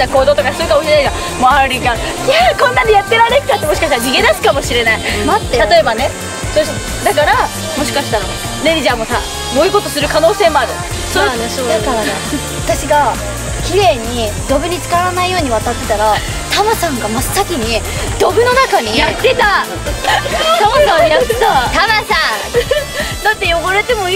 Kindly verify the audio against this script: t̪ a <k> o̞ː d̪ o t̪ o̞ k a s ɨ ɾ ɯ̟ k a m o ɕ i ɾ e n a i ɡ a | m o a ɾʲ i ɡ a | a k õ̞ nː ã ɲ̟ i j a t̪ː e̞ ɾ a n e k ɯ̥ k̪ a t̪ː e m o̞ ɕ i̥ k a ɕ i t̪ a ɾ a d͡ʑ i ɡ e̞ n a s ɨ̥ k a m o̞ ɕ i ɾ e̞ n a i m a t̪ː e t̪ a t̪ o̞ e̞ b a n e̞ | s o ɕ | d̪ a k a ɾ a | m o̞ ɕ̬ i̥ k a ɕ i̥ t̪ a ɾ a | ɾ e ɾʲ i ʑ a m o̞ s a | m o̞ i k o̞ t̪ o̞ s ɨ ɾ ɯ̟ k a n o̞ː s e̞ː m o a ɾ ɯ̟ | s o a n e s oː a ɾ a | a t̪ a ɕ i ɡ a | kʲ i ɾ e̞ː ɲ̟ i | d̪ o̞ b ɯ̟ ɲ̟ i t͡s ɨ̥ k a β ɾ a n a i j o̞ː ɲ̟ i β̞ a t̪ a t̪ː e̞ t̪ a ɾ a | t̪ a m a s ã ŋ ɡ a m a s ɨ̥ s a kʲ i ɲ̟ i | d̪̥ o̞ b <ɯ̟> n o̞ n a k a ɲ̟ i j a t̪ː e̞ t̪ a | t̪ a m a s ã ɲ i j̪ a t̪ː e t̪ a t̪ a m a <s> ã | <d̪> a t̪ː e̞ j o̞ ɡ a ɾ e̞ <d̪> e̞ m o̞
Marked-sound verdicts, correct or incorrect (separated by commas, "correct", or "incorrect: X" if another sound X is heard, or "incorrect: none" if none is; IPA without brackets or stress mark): correct, correct, correct, correct, incorrect: t̪